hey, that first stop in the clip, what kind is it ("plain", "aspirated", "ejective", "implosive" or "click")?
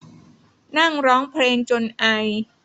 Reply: aspirated